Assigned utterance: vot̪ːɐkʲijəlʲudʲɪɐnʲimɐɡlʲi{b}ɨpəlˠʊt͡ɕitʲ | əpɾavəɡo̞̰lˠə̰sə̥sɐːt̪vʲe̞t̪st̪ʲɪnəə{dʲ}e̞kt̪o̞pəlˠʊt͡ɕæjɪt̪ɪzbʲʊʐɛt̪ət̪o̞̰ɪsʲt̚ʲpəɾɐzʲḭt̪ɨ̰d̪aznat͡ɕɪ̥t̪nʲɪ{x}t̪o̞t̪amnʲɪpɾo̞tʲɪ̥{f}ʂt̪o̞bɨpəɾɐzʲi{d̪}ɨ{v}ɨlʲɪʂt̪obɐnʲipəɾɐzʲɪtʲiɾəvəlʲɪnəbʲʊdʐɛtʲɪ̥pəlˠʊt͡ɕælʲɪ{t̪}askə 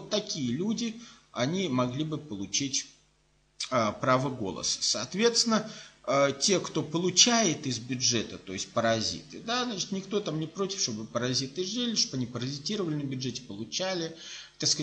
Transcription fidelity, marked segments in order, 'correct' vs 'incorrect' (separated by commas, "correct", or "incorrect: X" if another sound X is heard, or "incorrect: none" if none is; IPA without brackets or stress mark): correct, incorrect: tʲ, incorrect: k, correct, incorrect: t̪, incorrect: ʐ, correct